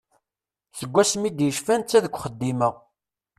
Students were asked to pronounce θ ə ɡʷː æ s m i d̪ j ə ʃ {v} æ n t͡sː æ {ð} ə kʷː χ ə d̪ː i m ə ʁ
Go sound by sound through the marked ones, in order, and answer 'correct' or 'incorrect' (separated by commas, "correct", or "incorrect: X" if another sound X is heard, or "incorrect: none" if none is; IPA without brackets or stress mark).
incorrect: f, correct